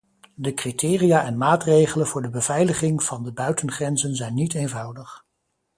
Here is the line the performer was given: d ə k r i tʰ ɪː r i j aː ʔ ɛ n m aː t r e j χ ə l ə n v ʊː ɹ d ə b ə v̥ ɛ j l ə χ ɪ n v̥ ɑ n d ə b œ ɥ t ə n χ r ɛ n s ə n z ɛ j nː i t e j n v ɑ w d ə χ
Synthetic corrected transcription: d ə k r i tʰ ɪː r i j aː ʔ ɛ n m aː t r e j χ ə l ə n v ʊː ɹ d ə b ə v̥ ɛ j l ə χ ɪ ŋ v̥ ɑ n d ə b œ ɥ t ə n χ r ɛ n z ə n z ɛ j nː i t e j n v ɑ w d ə χ